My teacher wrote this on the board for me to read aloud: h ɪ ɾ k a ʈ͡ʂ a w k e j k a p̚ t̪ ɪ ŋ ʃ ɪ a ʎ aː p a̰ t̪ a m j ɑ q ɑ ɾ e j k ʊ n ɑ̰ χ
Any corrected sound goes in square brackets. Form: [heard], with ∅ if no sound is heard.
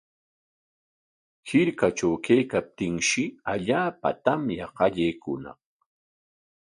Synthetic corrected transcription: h ɪ ɾ k a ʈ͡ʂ a w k e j k a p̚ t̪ ɪ ŋ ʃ ɪ a ʎ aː p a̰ t̪ a m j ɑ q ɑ [ʎ] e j k ʊ n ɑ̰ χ